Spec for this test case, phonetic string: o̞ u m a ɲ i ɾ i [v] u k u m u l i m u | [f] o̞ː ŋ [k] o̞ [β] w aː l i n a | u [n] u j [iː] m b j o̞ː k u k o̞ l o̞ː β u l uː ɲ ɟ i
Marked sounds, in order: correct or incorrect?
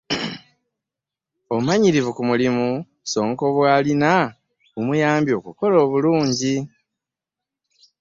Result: correct, incorrect, correct, correct, incorrect, incorrect

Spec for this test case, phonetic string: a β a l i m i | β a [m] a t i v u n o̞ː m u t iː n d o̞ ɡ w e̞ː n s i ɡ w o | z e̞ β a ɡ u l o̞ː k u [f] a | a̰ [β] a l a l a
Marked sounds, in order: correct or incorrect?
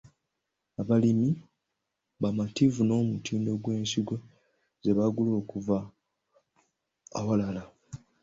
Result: correct, incorrect, incorrect

